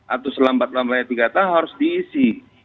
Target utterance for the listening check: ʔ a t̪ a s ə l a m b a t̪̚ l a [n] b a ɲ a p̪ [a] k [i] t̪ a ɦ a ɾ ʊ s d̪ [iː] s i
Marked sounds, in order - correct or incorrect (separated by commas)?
incorrect, incorrect, incorrect, correct